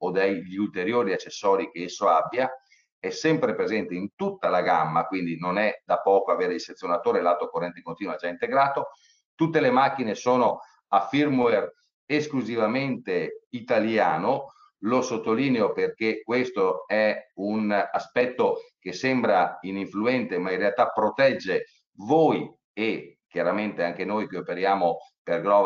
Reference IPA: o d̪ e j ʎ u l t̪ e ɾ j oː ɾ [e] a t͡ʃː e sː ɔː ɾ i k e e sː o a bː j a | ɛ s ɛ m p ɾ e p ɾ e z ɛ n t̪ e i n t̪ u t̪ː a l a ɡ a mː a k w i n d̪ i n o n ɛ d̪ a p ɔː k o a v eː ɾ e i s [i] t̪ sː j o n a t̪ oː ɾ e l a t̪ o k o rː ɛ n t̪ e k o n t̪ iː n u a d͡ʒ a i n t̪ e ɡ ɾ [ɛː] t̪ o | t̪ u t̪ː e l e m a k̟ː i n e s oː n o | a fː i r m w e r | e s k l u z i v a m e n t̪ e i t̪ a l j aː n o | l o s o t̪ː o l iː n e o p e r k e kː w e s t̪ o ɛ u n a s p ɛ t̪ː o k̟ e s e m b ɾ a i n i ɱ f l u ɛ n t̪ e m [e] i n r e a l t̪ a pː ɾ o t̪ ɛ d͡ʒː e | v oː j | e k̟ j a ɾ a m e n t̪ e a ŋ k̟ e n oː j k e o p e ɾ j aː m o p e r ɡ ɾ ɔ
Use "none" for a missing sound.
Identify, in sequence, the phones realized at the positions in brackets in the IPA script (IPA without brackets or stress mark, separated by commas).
i, e, aː, a